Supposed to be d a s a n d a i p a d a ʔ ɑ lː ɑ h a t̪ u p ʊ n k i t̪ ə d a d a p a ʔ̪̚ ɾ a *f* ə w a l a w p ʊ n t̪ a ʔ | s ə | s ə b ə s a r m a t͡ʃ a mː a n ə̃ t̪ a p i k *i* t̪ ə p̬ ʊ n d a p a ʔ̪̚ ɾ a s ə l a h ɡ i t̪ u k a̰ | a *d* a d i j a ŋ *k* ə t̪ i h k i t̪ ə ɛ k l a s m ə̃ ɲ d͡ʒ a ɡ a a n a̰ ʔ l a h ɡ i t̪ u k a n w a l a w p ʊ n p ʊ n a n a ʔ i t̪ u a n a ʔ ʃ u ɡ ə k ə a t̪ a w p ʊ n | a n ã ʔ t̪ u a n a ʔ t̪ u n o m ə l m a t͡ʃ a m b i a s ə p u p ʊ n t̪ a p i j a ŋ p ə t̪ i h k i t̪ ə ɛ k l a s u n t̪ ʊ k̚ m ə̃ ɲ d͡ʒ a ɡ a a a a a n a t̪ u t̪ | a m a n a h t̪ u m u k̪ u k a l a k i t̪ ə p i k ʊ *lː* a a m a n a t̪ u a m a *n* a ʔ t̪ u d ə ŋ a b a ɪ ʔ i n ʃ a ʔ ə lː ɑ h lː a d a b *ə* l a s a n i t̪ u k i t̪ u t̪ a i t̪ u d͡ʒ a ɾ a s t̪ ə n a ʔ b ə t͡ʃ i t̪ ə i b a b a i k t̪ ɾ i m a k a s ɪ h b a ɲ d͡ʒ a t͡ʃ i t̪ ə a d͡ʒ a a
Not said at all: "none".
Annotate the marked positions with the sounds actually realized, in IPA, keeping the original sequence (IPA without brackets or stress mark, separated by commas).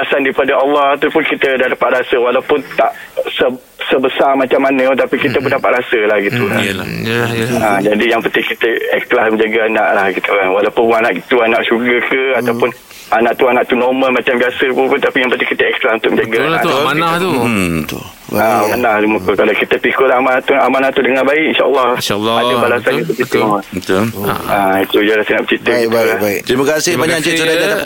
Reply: s, i, d͡ʒ, p, l, n, a